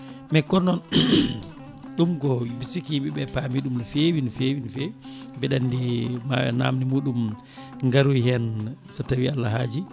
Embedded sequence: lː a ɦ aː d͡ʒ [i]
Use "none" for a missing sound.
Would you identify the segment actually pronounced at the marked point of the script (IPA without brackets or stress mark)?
i